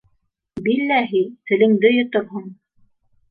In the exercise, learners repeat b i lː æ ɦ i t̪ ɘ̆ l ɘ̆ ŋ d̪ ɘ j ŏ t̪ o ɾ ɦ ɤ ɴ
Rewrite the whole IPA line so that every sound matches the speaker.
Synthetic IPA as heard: b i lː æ ɦ i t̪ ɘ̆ l ɘ̆ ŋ d̪ ɘ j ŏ t̪ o ɾ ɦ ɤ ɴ